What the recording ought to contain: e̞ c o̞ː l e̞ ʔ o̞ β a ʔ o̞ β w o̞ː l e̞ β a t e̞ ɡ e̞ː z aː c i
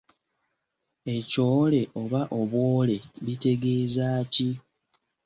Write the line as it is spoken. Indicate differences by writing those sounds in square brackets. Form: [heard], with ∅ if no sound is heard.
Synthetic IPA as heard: e̞ c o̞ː l e̞ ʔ o̞ β a ʔ o̞ β w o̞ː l e̞ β [i] t e̞ ɡ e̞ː z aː c i